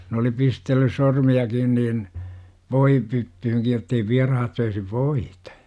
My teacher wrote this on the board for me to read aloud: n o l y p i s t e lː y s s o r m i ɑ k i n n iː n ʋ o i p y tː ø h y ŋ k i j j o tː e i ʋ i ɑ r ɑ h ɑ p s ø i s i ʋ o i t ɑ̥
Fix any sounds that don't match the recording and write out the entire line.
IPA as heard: n o l i p i s t e lː y s s o r m i ɑ k i n n iː n ʋ o i p y tː y h y ŋ k i j j o tː e i ʋ i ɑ r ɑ h ɑ t s ø i s i ʋ o i t ɑ̥